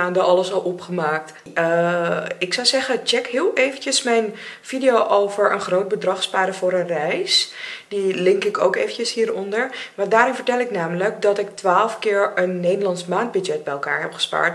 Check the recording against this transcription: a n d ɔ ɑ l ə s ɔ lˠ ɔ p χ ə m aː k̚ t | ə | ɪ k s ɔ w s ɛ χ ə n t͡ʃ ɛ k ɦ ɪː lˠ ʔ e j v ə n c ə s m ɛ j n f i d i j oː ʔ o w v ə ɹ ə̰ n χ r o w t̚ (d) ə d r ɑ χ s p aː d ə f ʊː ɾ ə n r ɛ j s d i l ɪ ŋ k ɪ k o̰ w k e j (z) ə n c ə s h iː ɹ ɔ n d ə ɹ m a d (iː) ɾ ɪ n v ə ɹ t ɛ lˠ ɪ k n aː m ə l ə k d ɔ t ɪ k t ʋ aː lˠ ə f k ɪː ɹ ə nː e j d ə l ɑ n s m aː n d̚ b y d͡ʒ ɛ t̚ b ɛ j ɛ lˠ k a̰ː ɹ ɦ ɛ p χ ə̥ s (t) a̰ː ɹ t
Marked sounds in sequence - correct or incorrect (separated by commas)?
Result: incorrect, incorrect, incorrect, incorrect